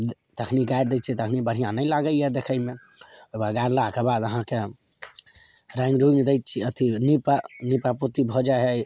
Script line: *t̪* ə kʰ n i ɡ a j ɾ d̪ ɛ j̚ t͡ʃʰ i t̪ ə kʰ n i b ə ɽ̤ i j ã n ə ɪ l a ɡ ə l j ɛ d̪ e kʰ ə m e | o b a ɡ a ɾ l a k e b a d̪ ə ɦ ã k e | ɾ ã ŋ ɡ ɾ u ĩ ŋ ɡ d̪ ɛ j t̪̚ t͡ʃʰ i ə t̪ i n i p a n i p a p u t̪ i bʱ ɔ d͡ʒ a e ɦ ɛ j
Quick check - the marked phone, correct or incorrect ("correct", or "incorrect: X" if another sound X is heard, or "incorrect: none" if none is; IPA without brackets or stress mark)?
correct